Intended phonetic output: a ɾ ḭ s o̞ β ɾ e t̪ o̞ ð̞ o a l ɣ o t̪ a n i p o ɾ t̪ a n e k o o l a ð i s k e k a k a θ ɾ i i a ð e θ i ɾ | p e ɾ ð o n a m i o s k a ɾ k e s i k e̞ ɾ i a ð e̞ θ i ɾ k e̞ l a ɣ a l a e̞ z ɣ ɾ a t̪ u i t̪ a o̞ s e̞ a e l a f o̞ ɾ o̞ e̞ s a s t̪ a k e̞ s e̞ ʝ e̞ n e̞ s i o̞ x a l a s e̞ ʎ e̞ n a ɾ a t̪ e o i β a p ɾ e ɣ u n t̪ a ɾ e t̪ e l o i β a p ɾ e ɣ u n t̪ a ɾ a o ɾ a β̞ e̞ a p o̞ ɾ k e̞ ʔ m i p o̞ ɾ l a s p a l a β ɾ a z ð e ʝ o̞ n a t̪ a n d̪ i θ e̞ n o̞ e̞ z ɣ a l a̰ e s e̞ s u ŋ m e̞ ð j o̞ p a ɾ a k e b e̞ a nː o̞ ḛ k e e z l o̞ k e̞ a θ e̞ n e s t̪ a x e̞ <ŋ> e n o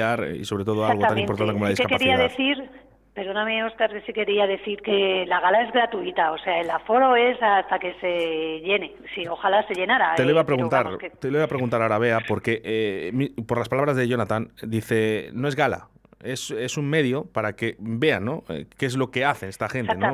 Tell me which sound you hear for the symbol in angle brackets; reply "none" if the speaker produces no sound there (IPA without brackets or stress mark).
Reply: n